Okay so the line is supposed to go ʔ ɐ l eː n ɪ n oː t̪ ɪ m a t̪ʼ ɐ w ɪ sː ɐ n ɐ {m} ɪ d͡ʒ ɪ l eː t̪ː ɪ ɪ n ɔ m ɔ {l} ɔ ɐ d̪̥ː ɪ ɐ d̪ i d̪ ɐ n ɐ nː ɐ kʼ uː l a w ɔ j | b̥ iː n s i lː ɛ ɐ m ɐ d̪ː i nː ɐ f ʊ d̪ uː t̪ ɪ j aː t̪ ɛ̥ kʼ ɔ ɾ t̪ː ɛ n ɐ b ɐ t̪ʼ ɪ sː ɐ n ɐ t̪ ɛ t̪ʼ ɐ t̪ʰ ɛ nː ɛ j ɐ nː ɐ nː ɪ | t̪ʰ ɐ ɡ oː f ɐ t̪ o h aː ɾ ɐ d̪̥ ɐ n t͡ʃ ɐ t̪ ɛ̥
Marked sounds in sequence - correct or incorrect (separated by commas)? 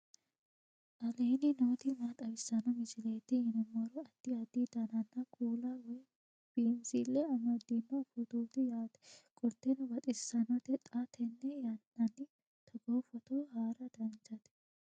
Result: correct, incorrect